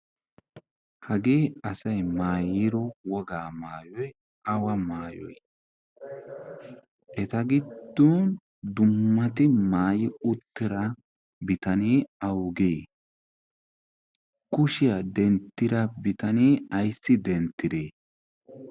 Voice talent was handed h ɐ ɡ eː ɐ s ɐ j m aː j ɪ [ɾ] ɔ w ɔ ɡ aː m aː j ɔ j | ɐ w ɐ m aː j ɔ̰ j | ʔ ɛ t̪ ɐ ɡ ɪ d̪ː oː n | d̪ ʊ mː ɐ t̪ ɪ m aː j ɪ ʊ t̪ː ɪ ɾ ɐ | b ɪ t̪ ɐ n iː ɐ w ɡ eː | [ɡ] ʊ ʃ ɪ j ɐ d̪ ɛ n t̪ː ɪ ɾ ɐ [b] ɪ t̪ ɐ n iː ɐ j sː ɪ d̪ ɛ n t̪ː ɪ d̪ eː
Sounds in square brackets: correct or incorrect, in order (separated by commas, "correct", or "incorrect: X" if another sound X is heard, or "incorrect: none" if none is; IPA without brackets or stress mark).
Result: correct, incorrect: k, correct